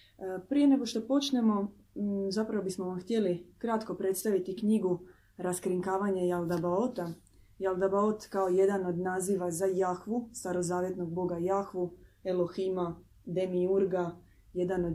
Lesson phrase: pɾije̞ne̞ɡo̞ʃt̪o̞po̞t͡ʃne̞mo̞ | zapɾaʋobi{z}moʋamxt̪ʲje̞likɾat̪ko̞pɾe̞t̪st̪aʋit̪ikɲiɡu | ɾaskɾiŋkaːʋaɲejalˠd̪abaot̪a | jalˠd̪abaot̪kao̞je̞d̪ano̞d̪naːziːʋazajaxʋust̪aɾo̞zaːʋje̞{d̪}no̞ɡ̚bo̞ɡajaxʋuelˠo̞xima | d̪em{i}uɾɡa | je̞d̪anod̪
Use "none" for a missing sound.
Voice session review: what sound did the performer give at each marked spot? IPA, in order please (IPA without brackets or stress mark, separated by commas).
s, t̪, i